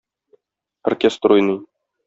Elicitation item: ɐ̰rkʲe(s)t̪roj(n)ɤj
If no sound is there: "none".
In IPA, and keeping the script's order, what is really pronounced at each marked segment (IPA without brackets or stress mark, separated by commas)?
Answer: s, n